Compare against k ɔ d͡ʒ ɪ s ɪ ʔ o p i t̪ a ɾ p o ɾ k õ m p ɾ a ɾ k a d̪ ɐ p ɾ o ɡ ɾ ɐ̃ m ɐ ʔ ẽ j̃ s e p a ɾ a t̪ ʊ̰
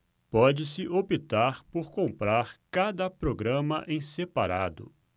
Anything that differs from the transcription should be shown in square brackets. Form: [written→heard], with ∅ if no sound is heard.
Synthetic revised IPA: [k→p] ɔ d͡ʒ ɪ s ɪ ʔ o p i t̪ a ɾ p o ɾ k õ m p ɾ a ɾ k a d̪ ɐ p ɾ o ɡ ɾ ɐ̃ m ɐ ʔ ẽ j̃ s e p a ɾ a [t̪→d̪] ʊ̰